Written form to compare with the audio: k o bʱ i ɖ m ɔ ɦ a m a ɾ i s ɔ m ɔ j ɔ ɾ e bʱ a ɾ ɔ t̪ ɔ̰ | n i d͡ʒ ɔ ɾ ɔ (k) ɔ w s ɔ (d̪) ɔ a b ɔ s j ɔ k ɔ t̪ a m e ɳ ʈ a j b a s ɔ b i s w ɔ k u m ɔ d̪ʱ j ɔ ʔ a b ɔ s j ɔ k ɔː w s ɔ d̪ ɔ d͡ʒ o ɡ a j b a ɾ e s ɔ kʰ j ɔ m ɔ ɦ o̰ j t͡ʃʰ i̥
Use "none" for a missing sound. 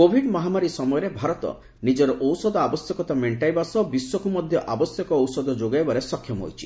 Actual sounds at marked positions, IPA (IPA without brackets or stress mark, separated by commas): ʔ, d̪